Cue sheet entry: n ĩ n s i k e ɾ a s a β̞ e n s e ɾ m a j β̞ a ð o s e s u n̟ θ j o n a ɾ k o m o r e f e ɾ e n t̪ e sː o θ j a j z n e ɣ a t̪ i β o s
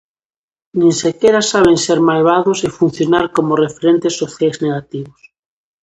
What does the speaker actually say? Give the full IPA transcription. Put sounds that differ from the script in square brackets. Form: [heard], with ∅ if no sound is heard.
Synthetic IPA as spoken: n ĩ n s [e] k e ɾ a s a β̞ e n s e ɾ m a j β̞ a ð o s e [f] u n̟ θ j o n a ɾ k o m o r e f e ɾ e n t̪ e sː o θ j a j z n e ɣ a t̪ i β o s